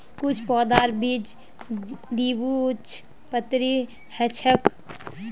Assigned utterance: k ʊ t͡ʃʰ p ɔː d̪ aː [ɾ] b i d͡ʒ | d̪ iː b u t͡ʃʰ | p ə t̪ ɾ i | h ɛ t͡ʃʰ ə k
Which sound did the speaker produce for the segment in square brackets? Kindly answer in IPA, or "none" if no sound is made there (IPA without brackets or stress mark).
ɾ